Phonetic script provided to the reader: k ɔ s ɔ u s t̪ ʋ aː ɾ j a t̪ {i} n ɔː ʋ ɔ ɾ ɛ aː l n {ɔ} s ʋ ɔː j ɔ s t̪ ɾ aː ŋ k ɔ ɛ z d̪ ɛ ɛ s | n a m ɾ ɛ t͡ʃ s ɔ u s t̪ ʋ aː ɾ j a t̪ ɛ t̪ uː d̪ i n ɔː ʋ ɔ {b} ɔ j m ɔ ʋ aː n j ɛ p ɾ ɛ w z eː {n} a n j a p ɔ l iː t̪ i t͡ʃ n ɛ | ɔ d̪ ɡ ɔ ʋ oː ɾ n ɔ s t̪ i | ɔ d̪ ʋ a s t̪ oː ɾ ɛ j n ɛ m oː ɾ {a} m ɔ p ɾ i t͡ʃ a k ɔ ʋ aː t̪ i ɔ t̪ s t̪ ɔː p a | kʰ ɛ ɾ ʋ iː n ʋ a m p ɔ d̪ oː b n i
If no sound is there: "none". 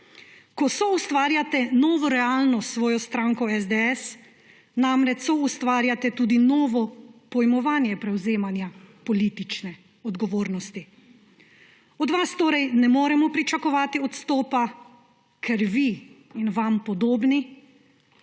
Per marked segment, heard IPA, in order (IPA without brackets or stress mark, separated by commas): ɛ, ɔ, p, m, ɛ